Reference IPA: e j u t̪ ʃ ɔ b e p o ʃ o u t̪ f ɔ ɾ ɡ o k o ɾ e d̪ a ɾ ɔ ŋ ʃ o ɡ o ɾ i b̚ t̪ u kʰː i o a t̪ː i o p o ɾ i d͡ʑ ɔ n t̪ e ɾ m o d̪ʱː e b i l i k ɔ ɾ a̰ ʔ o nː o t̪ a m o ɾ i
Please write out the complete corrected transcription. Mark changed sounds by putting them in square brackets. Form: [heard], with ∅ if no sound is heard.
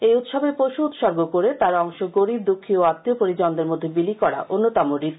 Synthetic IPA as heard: e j u t̪ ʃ ɔ b e p o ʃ [u] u t̪ [ʃ] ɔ ɾ ɡ o k o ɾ e [t̪] a ɾ ɔ ŋ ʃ o ɡ o ɾ i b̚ [d̪] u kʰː i o a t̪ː i o p o ɾ i d͡ʑ ɔ n [d̪] e ɾ m o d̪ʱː e b i l i k ɔ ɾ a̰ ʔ o nː o t̪ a m o ɾ i

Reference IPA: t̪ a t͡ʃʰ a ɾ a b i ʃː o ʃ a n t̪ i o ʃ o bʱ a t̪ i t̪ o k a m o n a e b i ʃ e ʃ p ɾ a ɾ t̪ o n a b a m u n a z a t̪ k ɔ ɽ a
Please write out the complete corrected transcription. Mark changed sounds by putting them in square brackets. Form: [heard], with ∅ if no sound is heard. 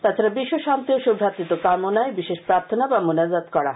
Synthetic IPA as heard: t̪ a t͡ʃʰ a ɾ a b i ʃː o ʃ a n t̪ i o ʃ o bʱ a t̪ i t̪ o k a m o n a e b i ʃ e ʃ p ɾ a ɾ [t̪ʰ] o n a b a m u n a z a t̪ k ɔ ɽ a

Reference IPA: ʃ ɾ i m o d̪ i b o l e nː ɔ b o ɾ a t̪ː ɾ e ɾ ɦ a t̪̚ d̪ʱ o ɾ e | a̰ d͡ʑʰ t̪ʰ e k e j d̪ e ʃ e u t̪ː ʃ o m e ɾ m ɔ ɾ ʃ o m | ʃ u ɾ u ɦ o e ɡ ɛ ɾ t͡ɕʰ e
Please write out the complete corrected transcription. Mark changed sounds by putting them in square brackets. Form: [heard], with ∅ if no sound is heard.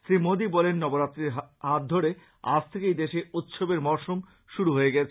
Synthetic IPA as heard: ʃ ɾ i m o d̪ i b [ɔ] l e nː ɔ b o ɾ a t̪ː ɾ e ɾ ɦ a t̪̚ d̪ʱ o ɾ e | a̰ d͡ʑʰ t̪ʰ e k e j d̪ e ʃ e u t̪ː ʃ o [b] e ɾ m ɔ ɾ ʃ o m | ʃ u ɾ u ɦ o e ɡ ɛ [∅] t͡ɕʰ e

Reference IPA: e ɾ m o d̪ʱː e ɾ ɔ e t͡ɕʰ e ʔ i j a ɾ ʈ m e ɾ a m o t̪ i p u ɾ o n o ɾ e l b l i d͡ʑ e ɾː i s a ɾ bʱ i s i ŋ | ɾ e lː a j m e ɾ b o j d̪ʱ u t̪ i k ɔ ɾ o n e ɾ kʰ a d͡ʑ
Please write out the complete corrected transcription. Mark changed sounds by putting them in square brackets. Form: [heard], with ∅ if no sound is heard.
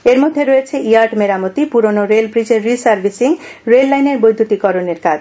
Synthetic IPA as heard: e ɾ m o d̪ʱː e ɾ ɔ e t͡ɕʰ e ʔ i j a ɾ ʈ m e ɾ a m o t̪ i p u ɾ o n o ɾ e l b [ɾ] i d͡ʑ e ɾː i s a ɾ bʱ i s i ŋ | ɾ e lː a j [n] e ɾ b o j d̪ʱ u t̪ i k ɔ ɾ o n e ɾ [k] a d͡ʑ

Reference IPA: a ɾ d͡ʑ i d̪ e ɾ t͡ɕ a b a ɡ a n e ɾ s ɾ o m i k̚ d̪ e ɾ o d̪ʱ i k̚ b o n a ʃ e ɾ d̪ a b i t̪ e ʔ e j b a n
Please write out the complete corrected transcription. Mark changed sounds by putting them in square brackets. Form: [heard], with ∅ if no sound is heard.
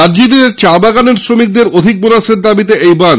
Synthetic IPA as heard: a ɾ d͡ʑ i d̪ e ɾ t͡ɕ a b a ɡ a n e ɾ s ɾ o m i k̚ d̪ e ɾ o d̪ʱ i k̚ b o n a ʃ e ɾ d̪ a b i t̪ e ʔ e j b a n

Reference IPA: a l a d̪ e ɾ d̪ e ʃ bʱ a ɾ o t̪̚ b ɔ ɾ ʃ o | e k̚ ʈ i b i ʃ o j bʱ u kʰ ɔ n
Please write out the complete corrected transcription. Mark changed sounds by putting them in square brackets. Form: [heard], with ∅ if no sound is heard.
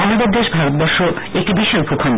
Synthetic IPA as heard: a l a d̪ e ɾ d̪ e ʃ bʱ a ɾ o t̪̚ b ɔ ɾ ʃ o | e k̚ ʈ i b i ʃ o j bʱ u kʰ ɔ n

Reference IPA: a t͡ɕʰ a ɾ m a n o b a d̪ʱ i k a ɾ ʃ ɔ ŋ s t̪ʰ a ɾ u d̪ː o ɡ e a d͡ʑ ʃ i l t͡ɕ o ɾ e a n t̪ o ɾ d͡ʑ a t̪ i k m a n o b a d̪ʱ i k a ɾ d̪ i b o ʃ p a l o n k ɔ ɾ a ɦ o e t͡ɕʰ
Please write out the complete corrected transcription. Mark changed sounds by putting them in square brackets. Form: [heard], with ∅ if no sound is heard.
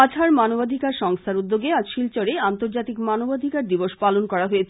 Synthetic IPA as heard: a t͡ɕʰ a ɾ m a n o b a d̪ʱ i k a ɾ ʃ ɔ ŋ s t̪ʰ a ɾ u d̪ː o ɡ e a d͡ʑ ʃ i l t͡ɕ o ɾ e a n t̪ o ɾ d͡ʑ a t̪ i k m a n o b a d̪ʱ i k a ɾ d̪ i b o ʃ p a l o n k ɔ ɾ a ɦ o e t͡ɕʰ

